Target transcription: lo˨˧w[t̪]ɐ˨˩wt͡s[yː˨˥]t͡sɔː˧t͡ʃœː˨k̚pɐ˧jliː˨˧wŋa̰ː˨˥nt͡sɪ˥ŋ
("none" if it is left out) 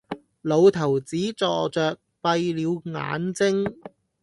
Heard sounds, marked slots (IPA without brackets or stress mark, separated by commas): t̪ʰ, iː˨˥